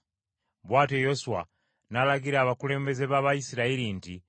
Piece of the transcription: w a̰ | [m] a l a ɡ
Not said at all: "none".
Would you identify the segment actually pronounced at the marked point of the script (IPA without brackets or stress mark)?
n